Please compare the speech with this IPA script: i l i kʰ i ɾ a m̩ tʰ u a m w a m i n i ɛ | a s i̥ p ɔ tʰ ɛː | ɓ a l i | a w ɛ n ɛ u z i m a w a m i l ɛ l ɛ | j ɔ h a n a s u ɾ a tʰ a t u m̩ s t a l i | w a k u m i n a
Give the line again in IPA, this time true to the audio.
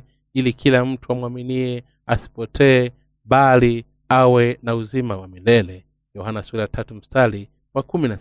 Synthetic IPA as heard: i l i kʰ i l a m̩ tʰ u a m w a m i n i ɛ | a s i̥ p ɔ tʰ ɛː | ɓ a l i | a w ɛ n a u z i m a w a m i l ɛ l ɛ | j ɔ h a n a s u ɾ a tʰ a t u m̩ s t a l i | w a k u m i n a